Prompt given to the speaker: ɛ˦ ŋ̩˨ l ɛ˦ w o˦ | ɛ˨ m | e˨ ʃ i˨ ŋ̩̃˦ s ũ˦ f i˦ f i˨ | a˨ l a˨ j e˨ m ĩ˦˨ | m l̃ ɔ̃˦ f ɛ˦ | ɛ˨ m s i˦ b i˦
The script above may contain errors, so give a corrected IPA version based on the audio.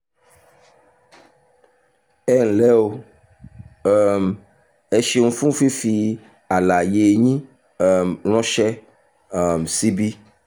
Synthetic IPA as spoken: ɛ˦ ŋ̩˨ l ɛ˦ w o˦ | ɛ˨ m | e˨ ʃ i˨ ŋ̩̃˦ f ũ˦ f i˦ f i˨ | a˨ l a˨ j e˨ ɲ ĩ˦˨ | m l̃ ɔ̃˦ ʃ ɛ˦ | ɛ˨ m s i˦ b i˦